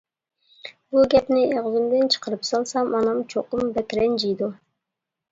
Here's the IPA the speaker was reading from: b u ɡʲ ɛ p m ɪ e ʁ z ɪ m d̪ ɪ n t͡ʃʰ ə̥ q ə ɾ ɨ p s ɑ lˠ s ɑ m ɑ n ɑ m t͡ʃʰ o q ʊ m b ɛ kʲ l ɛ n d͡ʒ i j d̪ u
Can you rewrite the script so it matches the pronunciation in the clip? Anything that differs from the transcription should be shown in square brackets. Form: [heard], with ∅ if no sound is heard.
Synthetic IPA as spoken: b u ɡʲ ɛ p [n] ɪ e ʁ z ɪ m d̪ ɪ n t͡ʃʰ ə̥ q ə ɾ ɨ p s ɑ lˠ s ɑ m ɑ n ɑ m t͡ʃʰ o q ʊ m b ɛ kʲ [ɾ] ɛ n d͡ʒ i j d̪ u